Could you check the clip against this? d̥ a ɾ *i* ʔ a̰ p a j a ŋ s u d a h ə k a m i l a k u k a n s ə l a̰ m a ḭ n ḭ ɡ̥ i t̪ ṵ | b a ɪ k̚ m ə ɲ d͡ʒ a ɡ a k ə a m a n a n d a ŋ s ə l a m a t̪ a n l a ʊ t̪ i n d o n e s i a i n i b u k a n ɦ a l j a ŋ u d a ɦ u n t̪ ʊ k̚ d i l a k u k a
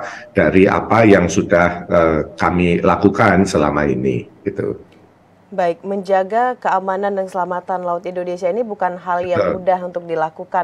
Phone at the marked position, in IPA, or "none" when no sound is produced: i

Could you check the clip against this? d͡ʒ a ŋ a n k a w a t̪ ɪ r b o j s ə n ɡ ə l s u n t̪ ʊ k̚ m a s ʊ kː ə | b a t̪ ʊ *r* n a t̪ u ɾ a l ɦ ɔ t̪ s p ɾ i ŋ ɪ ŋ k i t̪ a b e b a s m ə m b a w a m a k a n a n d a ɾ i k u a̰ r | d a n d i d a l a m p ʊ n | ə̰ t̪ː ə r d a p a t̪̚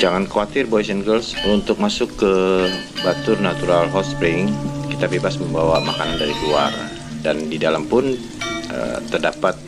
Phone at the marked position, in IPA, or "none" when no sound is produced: r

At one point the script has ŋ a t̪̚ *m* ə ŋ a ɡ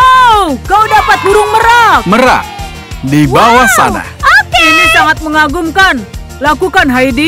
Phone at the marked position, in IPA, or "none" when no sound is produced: m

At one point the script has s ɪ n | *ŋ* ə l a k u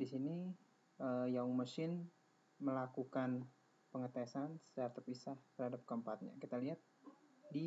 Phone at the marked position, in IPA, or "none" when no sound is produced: m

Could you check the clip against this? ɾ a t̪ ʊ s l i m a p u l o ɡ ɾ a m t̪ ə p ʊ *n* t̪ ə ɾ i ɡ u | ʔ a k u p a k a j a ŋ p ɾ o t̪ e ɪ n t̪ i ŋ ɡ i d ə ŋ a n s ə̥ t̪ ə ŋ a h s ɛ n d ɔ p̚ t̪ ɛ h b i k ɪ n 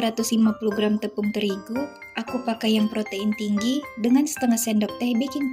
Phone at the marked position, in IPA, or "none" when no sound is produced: ŋ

